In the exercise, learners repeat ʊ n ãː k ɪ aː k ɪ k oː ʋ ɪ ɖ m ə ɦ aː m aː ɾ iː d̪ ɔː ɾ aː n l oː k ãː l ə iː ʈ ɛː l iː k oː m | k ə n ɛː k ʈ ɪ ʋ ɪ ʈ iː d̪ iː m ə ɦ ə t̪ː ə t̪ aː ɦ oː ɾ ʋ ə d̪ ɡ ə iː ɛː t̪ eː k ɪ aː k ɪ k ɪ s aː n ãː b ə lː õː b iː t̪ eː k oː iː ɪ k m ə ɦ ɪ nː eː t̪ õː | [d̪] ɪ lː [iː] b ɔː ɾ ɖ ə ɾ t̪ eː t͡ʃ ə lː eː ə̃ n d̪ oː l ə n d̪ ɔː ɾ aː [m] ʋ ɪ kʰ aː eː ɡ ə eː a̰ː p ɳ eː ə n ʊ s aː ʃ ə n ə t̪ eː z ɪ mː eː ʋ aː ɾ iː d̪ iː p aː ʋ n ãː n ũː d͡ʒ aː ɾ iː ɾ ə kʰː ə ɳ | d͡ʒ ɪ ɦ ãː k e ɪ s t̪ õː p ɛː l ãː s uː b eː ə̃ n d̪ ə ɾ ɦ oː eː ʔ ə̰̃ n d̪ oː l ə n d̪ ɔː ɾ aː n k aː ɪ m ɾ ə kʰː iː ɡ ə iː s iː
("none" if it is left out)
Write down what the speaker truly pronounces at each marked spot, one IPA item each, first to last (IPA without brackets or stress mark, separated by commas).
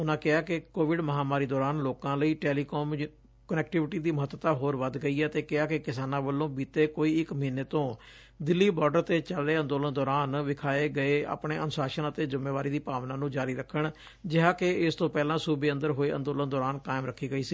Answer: d̪, iː, n